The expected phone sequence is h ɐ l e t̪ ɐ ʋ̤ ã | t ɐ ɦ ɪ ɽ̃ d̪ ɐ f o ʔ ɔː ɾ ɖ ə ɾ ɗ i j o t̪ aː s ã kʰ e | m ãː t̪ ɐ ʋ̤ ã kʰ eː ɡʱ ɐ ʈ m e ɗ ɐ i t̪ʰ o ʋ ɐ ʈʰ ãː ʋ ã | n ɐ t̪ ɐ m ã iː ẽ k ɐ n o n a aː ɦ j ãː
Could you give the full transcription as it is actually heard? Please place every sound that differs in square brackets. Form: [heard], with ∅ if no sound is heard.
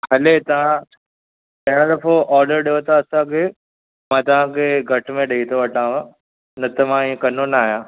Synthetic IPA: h ɐ l e t̪ ɐ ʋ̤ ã | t ɐ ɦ ɪ ɽ̃ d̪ ɐ f o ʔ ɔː ɾ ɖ ə ɾ ɗ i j o t̪ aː s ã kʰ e | m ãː t̪ ɐ ʋ̤ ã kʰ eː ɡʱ ɐ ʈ m [ẽ] ɗ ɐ i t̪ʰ o ʋ ɐ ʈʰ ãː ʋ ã | n ɐ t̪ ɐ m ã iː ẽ k ɐ n o n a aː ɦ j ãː